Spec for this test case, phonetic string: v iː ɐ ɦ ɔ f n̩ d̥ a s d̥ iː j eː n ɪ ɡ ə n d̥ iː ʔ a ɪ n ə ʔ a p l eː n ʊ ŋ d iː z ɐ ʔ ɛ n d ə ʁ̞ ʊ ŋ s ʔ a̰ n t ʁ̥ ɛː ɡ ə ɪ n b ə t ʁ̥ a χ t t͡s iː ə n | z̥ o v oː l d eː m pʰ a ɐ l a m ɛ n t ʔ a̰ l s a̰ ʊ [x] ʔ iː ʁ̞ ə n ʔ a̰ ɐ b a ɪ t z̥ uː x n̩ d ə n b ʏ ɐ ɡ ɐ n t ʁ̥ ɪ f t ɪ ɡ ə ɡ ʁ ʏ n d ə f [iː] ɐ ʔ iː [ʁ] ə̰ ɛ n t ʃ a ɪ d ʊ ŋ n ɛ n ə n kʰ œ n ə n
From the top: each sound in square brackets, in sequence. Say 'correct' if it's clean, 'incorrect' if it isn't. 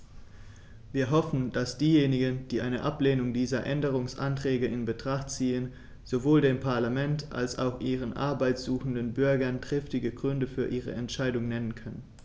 correct, incorrect: yː, correct

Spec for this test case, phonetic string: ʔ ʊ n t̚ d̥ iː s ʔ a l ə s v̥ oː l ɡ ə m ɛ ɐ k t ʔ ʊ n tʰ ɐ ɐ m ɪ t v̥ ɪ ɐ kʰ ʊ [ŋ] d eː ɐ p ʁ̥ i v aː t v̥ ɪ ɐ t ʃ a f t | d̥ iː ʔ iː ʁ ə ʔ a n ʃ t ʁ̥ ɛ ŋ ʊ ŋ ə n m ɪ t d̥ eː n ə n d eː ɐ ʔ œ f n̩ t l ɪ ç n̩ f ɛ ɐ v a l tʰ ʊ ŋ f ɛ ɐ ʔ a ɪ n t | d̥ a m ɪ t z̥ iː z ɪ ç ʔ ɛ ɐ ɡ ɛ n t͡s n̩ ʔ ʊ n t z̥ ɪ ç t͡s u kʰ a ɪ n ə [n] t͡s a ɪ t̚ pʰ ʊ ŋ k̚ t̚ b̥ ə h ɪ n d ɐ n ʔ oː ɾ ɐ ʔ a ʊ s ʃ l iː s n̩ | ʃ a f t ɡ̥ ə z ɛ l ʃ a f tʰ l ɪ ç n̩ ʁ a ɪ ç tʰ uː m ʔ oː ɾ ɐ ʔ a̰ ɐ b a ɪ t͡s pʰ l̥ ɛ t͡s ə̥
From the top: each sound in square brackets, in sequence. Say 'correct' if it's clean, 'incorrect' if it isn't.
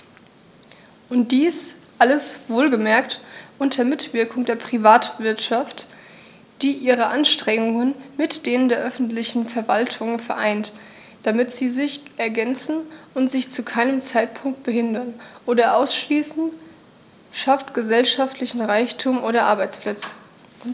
correct, incorrect: m

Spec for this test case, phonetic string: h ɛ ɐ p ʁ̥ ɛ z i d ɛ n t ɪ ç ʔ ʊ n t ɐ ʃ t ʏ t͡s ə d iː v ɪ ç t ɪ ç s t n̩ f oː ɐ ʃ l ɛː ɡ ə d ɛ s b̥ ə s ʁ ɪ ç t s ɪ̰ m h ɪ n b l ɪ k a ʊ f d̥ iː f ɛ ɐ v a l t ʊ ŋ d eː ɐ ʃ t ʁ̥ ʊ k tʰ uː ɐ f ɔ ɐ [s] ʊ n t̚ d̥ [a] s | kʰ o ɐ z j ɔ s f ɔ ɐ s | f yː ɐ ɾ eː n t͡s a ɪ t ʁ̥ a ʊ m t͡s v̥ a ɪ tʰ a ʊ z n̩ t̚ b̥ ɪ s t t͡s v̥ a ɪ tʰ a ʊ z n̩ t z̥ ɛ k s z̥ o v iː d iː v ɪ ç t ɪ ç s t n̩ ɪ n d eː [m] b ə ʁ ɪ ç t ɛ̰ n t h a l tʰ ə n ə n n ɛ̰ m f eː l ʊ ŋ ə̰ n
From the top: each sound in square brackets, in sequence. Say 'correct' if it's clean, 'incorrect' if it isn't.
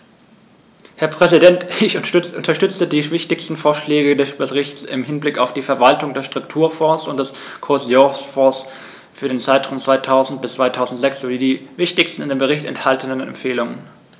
correct, incorrect: ɛ, correct

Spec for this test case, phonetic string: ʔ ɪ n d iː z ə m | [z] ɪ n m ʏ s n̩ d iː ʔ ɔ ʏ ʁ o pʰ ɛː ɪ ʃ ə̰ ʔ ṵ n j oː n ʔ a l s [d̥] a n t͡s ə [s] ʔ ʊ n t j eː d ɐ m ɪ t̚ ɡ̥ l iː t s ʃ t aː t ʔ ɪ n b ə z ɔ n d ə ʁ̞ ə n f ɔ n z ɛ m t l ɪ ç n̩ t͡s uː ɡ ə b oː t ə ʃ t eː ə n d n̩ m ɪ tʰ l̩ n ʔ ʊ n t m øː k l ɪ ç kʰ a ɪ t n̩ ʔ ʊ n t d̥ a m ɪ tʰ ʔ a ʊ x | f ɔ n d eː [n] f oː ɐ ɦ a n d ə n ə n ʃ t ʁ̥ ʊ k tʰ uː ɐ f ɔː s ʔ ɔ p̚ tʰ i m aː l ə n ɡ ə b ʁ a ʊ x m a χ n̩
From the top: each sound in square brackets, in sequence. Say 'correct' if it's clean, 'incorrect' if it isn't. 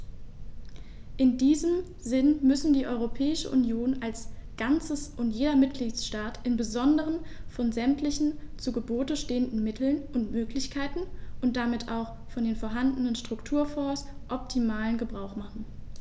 correct, incorrect: ɡ̥, correct, correct

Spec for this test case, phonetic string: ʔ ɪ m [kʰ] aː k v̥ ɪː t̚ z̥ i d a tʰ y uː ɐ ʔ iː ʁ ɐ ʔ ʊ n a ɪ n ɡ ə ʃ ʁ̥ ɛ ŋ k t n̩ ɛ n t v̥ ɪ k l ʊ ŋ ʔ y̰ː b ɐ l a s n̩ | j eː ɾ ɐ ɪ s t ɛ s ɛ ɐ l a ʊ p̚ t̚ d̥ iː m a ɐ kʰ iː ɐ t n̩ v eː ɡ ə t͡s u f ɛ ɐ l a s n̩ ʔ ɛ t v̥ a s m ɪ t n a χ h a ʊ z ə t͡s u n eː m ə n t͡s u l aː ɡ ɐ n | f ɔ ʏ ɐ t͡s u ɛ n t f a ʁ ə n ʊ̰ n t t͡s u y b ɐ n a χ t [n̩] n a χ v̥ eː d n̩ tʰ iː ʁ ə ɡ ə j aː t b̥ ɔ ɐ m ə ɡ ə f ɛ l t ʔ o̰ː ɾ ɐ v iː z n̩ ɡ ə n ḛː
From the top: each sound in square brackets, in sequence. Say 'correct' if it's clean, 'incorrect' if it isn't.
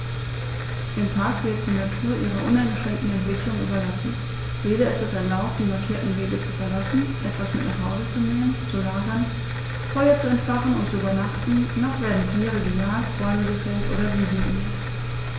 incorrect: tʰ, correct

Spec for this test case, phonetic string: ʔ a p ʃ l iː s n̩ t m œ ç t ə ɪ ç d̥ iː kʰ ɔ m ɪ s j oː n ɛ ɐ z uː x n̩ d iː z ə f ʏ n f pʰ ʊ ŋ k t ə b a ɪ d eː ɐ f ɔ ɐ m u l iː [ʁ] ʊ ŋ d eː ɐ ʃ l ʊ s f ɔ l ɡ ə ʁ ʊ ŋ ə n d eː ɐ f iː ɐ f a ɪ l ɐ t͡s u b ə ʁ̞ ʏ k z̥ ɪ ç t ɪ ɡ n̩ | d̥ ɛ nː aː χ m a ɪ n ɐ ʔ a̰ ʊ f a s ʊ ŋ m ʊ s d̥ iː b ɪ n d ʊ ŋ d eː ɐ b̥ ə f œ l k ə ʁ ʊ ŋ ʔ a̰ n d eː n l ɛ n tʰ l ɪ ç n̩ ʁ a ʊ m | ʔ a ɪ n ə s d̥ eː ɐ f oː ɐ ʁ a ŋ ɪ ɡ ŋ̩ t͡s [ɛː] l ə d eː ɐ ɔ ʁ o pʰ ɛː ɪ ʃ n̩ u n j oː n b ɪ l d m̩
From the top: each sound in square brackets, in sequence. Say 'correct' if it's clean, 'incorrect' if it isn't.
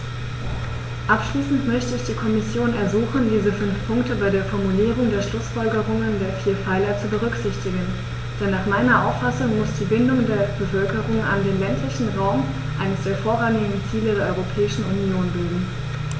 correct, incorrect: iː

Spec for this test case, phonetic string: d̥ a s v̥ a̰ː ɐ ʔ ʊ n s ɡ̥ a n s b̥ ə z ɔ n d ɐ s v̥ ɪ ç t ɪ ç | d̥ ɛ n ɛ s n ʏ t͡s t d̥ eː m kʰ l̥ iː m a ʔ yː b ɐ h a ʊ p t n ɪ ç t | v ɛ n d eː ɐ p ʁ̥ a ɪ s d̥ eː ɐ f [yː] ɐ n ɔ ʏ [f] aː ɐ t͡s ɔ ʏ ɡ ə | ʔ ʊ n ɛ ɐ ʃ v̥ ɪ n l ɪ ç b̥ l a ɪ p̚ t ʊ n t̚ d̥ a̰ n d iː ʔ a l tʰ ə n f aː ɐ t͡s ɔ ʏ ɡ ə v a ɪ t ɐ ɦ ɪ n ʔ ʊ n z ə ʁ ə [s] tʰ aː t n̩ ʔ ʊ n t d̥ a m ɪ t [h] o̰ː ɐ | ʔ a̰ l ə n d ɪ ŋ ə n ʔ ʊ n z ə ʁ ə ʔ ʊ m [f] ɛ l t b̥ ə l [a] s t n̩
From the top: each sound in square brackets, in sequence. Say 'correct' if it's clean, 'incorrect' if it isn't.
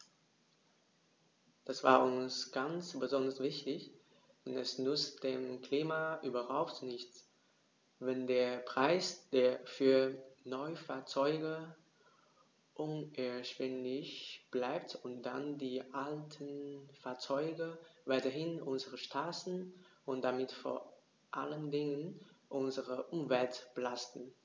correct, correct, incorrect: ʃ, incorrect: f, incorrect: v, correct

